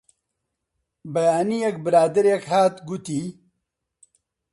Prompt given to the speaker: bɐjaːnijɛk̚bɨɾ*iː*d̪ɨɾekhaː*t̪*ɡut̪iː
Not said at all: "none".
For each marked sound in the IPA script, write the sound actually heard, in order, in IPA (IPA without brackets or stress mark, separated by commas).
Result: aː, t̪